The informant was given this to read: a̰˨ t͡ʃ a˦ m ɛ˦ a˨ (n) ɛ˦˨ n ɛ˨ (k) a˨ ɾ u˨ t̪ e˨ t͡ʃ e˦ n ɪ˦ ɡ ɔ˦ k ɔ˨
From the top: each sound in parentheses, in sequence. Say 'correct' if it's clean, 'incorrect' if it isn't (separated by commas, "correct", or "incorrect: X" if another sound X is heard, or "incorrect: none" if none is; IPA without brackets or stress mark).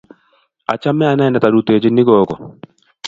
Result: correct, incorrect: t